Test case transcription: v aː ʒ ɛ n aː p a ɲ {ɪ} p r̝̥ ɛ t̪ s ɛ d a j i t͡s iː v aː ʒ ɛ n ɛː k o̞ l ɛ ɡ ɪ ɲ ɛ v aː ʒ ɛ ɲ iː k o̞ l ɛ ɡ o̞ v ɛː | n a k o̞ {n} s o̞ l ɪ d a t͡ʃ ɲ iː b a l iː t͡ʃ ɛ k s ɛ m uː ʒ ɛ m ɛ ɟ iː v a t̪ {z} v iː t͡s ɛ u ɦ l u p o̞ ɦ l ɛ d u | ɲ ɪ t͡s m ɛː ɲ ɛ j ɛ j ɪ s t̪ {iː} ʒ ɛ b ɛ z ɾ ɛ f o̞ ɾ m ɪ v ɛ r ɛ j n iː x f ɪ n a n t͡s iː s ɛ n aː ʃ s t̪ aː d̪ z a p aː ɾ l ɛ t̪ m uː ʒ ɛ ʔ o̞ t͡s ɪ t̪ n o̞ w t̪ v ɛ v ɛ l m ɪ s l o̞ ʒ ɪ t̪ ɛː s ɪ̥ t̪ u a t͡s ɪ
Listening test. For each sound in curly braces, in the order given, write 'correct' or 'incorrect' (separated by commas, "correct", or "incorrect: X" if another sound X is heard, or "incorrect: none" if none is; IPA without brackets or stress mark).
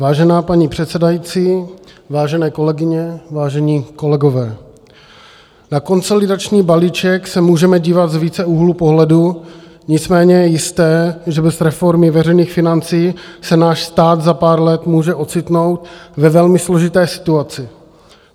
incorrect: i, correct, correct, incorrect: ɛː